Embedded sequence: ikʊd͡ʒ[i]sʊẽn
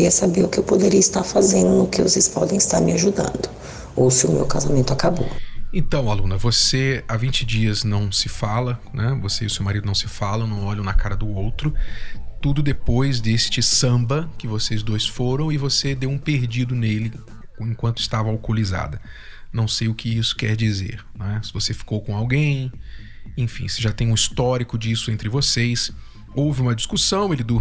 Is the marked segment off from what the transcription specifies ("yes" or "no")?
no